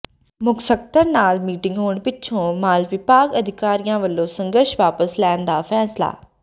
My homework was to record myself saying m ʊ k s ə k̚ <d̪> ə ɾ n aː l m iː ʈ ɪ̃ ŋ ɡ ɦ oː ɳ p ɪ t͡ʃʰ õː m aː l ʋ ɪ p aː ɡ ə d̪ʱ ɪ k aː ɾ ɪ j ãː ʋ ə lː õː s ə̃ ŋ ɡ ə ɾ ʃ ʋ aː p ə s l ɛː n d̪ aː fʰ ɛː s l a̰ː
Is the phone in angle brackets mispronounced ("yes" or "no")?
yes